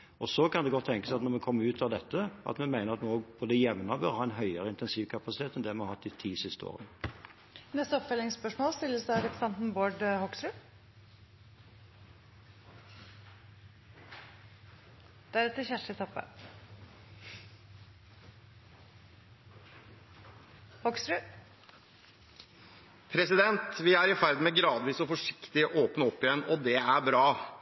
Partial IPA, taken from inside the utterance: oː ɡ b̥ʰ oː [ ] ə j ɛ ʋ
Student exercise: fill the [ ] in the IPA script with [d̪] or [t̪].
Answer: d̪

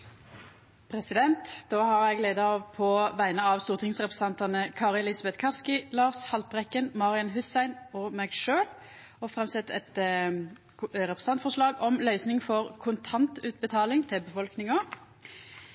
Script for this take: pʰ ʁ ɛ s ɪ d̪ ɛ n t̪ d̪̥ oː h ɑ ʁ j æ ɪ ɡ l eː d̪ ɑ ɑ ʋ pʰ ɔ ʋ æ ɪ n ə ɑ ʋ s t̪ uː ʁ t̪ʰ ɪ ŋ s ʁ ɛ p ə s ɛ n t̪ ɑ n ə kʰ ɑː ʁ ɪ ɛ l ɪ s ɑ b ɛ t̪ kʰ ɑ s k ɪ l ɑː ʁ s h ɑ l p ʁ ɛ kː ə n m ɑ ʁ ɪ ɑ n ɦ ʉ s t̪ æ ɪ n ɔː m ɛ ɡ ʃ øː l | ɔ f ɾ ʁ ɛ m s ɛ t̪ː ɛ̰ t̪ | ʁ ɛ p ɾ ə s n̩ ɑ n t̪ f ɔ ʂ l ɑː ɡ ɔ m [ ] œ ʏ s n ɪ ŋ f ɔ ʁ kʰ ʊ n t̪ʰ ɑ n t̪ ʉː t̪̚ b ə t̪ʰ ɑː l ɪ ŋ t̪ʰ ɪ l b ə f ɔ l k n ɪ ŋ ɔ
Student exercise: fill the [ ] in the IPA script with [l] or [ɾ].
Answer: l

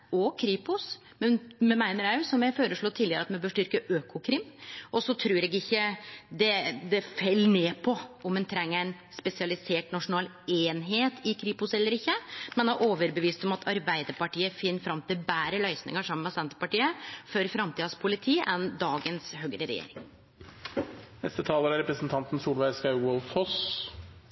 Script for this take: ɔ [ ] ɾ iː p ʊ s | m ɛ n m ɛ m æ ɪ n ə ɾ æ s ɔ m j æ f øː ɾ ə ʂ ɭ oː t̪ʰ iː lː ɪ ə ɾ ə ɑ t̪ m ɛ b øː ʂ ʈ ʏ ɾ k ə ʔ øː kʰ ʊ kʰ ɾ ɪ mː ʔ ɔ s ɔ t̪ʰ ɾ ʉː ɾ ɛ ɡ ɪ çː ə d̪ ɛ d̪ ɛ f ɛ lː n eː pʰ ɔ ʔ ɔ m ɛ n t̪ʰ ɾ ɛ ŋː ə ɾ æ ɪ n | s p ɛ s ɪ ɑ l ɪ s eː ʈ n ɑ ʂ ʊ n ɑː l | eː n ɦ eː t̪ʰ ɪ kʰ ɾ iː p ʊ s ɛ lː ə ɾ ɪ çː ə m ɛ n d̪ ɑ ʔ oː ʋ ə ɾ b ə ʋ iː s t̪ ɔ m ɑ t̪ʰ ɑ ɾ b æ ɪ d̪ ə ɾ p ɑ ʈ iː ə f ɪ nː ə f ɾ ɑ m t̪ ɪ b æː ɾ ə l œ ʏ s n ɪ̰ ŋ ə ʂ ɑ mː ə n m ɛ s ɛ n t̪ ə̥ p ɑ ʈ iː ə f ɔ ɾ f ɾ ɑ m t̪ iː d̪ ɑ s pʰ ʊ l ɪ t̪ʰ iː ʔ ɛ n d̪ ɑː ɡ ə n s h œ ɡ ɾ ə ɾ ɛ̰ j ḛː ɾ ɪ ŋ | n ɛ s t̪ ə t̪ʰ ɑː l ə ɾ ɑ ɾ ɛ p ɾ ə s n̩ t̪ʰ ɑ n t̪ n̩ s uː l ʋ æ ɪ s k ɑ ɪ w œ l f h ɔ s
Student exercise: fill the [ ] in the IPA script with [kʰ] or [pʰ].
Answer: kʰ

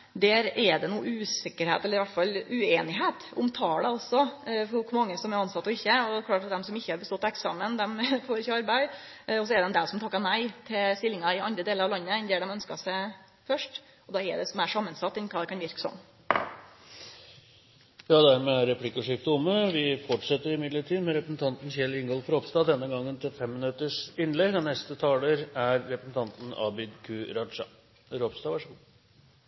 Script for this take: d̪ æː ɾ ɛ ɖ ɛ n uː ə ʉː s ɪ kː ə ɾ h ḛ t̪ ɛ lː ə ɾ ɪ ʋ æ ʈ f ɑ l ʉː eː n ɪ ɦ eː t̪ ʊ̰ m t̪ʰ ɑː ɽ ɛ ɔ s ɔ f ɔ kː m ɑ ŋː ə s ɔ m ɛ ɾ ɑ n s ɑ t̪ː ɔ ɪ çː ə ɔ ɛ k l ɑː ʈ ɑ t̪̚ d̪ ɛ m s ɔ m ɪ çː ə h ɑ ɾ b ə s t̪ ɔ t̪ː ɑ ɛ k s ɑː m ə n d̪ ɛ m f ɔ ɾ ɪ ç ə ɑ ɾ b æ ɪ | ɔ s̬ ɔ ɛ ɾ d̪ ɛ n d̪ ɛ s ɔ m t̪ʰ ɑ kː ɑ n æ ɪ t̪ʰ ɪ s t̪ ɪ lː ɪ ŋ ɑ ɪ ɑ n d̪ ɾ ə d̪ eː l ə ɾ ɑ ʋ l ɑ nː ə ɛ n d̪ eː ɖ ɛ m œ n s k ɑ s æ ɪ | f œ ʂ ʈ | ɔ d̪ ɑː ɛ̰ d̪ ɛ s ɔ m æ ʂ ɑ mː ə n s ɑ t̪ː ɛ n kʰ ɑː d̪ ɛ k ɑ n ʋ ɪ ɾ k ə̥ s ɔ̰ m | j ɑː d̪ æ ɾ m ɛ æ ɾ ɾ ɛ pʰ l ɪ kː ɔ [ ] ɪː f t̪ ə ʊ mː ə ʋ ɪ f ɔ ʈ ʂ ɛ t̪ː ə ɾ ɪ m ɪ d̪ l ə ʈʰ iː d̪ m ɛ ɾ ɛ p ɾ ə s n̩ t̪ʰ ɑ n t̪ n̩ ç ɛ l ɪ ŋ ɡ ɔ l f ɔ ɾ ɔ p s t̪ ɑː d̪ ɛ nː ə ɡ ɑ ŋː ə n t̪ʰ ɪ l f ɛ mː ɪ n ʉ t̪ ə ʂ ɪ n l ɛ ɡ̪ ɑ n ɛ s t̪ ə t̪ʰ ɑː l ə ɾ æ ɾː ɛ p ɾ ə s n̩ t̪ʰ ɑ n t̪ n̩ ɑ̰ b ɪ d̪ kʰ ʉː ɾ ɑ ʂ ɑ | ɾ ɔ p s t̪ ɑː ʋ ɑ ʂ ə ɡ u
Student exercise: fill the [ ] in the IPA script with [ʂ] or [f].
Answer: ʂ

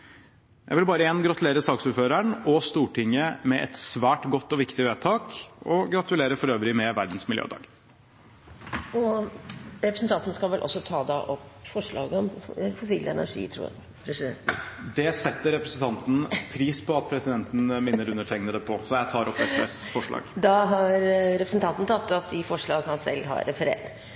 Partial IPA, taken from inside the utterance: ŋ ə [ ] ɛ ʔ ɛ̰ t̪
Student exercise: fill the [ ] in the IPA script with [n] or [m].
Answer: m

